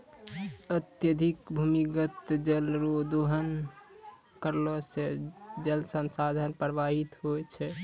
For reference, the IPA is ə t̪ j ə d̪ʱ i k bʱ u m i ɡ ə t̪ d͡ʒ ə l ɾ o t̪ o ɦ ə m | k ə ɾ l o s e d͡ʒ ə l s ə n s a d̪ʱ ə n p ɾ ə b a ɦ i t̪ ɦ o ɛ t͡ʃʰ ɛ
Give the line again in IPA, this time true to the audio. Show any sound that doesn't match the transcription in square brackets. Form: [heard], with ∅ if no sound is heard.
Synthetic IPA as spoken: ə t̪ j ə d̪ʱ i k bʱ u m i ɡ ə t̪ d͡ʒ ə l ɾ o [d̪] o ɦ ə [n] | k ə ɾ l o s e d͡ʒ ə l s ə n s a d̪ʱ ə n p ɾ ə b a ɦ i t̪ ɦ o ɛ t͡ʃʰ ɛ